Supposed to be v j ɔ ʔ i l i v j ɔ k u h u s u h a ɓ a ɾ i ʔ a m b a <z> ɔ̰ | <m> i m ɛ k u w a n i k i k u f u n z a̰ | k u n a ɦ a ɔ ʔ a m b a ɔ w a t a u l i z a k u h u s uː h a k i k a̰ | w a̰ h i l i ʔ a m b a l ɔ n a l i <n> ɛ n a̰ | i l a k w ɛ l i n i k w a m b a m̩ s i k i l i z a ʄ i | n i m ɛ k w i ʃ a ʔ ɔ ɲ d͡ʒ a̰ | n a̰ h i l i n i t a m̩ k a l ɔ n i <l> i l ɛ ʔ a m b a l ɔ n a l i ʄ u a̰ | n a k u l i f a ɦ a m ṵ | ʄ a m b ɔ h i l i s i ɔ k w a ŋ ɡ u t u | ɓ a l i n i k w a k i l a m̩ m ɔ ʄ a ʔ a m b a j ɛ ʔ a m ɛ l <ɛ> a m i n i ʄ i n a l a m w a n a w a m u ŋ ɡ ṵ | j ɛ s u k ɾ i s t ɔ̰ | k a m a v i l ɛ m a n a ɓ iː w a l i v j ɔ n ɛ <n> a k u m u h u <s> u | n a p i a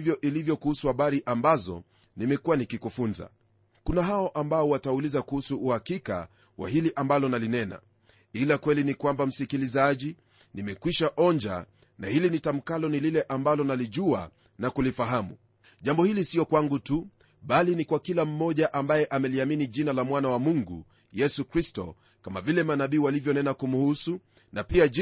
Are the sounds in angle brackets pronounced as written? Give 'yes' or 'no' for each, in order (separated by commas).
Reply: yes, no, yes, yes, no, yes, yes